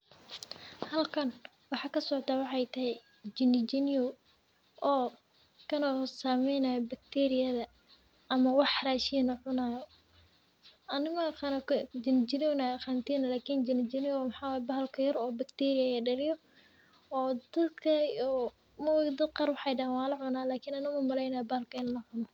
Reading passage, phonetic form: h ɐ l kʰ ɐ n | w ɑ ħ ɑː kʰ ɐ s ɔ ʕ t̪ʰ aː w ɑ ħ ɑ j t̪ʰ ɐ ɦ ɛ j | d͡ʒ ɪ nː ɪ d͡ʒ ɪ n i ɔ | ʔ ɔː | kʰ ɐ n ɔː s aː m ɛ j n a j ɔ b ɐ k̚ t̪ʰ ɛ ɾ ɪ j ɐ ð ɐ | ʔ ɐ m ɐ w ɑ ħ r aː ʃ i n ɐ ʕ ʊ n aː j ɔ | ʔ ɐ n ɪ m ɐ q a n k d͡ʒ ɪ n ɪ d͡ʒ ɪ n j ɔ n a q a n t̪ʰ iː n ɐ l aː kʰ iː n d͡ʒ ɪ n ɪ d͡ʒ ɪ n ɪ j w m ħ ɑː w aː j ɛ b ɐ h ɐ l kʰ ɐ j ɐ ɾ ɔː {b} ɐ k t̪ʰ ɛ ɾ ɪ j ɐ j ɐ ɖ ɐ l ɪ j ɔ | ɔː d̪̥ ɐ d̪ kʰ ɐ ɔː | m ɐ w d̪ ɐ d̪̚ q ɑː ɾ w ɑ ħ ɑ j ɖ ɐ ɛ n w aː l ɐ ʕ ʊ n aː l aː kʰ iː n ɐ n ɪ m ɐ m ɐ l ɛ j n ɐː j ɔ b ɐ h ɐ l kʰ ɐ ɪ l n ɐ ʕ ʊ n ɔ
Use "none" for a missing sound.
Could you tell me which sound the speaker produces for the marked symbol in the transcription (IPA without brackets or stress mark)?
b